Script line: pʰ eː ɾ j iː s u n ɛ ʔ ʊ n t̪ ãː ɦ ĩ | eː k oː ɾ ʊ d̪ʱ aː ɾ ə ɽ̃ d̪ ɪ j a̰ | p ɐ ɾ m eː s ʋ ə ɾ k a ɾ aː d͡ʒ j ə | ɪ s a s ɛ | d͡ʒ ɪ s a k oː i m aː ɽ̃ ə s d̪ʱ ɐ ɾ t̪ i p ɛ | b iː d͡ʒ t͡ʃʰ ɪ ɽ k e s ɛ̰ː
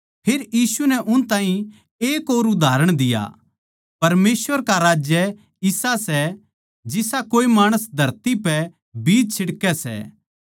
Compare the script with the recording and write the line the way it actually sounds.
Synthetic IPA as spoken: pʰ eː ɾ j iː s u n ɛ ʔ ʊ n t̪ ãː ɦ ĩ | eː k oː ɾ ʊ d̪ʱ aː ɾ ə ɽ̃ d̪ ɪ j a̰ | p ɐ ɾ m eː s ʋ ə ɾ k a ɾ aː d͡ʒ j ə | ɪ s a s ɛ | d͡ʒ ɪ s a k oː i m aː ɽ̃ ə s d̪ʱ ɐ ɾ t̪ i p ɛ | b iː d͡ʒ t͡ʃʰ ɪ ɽ k ɛ s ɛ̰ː

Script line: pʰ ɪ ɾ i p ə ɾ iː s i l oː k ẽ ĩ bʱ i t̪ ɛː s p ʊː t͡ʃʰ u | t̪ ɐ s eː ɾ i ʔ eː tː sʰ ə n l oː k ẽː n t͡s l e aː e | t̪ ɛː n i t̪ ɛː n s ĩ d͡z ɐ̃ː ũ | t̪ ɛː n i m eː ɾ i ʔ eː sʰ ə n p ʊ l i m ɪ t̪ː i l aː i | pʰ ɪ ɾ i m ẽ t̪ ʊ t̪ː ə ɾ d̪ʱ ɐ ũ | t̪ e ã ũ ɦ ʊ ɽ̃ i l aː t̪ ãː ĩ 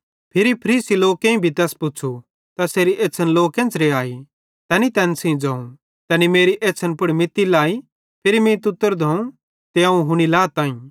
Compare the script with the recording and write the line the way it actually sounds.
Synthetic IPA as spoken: pʰ ɪ ɾ i pʰ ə ɾ iː s i l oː k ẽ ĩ bʱ i t̪ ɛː s p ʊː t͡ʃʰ u | t̪ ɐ s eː ɾ i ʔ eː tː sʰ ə n l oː k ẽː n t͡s ɾ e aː i | t̪ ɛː n i t̪ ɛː n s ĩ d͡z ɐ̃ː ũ | t̪ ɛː n i m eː ɾ i ʔ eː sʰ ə n p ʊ ɽ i m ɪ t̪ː i l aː i | pʰ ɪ ɾ i m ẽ t̪ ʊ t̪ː ə ɾ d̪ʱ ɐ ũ | t̪ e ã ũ ɦ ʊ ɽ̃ i l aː t̪ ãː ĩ

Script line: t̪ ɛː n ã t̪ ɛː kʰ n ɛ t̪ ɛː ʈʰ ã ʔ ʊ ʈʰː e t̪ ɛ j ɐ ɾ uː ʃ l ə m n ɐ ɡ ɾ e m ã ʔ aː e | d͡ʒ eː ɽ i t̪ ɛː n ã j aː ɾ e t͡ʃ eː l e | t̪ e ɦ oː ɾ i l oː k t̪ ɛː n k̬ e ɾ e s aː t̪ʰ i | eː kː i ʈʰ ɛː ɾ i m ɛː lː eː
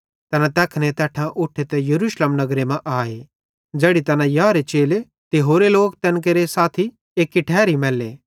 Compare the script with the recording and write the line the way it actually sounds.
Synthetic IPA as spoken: t̪ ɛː n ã t̪ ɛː kʰ n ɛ t̪ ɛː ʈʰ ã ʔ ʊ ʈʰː e t̪ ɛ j ɐ ɾ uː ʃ l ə m n ɐ ɡ ɾ e m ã ʔ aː e | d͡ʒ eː ɽ i t̪ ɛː n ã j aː ɾ e t͡ʃ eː l e | t̪ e ɦ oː ɾ e l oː k t̪ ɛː n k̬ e ɾ e s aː t̪ʰ i | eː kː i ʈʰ ɛː ɾ i m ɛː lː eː

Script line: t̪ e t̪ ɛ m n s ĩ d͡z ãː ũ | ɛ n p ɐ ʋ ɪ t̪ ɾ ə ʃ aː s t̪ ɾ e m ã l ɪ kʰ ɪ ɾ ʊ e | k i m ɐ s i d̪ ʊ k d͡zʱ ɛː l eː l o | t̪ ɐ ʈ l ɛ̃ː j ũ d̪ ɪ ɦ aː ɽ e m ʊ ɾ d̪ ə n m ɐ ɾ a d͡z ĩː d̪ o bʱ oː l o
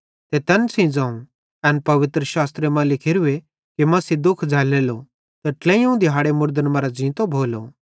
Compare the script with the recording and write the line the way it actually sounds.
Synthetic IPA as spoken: t̪ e t̪ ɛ n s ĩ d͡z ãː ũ | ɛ n p ɐ ʋ ɪ t̪ ɾ ə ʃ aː s t̪ ɾ e m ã l ɪ kʰ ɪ ɾ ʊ e | k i m ɐ s i d̪ ʊ kʰ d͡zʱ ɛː l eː l o | t̪ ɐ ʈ l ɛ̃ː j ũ d̪ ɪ ɦ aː ɽ e m ʊ ɾ d̪ ə n m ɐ ɾ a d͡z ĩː t̪ o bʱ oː l o

